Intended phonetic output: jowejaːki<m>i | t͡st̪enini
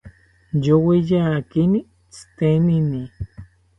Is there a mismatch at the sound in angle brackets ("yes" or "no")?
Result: yes